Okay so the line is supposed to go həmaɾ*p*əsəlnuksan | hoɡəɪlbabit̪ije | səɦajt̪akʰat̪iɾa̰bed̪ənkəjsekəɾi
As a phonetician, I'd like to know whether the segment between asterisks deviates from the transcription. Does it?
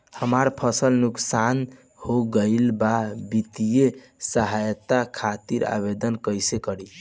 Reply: yes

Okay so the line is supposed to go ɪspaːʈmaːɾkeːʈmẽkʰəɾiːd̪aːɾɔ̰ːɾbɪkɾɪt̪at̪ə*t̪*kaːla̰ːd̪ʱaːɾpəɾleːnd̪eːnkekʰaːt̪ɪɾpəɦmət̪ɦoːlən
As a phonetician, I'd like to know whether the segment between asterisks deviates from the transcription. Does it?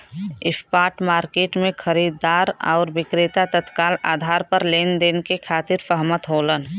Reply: no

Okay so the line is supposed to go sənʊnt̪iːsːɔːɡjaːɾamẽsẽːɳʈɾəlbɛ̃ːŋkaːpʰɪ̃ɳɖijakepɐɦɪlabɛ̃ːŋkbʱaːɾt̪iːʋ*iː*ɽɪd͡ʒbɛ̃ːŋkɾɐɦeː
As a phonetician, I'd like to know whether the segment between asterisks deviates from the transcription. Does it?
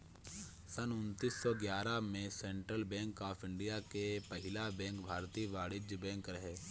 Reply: yes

